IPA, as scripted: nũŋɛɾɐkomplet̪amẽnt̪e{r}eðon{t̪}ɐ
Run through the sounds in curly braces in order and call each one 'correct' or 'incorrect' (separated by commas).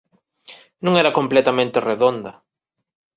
correct, incorrect